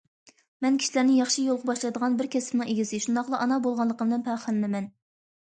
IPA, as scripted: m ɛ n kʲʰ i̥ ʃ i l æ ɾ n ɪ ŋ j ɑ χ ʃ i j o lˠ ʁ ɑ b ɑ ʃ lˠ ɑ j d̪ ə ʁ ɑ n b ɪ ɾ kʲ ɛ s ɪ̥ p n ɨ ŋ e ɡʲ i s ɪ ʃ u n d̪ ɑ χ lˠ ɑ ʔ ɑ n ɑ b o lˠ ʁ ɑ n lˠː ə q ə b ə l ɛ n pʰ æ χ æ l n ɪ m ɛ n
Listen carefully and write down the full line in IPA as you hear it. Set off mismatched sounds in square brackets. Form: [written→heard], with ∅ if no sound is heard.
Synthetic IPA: m ɛ n kʲʰ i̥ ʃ i l æ ɾ n ɪ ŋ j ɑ χ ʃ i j o lˠ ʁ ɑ b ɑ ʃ lˠ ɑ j d̪ ə ʁ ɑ n b ɪ ɾ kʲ ɛ s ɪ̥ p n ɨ ŋ e ɡʲ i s ɪ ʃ u n d̪ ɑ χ lˠ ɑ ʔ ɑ n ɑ b o lˠ ʁ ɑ n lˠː ə q ə b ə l ɛ n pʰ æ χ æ l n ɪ m ɛ n